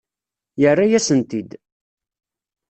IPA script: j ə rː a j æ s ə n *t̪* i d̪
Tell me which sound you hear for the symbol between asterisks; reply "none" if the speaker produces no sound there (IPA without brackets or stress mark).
t̪